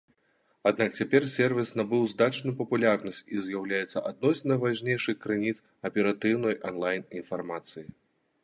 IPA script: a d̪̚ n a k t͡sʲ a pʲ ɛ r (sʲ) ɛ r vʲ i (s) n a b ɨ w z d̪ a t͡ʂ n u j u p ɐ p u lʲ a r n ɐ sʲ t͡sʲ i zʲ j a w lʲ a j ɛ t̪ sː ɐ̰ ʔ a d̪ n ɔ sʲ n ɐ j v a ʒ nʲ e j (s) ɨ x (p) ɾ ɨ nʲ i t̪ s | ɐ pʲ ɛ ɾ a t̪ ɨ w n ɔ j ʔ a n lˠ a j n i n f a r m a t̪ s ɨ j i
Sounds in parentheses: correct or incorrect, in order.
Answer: correct, correct, incorrect: ʂ, incorrect: k

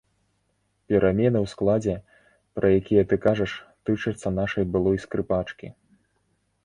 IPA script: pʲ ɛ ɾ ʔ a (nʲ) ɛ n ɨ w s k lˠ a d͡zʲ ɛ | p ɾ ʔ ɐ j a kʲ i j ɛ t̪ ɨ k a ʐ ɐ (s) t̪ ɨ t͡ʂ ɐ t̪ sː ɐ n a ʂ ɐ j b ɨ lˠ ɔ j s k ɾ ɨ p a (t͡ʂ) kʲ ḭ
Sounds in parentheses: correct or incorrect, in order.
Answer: incorrect: mʲ, incorrect: ʂ, correct

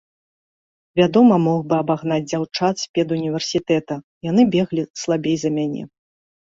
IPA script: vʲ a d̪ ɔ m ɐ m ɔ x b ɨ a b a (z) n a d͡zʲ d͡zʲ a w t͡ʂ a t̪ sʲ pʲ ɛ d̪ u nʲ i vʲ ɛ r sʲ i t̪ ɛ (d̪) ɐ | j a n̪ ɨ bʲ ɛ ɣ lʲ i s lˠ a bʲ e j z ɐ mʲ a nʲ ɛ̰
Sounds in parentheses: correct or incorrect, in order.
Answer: incorrect: ɣ, incorrect: t̪

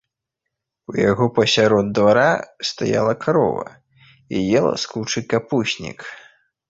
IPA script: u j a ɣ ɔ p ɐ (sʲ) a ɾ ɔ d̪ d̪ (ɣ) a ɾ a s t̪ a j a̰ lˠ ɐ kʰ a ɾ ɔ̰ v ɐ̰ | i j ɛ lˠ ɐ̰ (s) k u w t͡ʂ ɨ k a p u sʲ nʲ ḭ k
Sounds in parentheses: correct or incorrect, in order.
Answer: correct, incorrect: v, correct

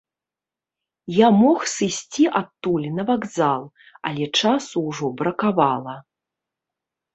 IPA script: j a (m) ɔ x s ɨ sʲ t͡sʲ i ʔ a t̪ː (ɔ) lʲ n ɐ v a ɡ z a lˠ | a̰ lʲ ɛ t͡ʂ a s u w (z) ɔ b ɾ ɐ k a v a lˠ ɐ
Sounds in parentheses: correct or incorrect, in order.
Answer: correct, incorrect: u, incorrect: ʐ

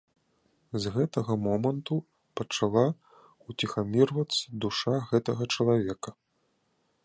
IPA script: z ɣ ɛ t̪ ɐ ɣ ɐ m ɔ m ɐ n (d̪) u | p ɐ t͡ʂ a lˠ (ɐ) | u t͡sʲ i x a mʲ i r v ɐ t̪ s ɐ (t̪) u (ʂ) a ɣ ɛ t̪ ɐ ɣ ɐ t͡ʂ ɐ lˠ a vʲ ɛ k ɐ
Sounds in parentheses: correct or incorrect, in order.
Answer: incorrect: t̪, incorrect: a, incorrect: d̪, correct

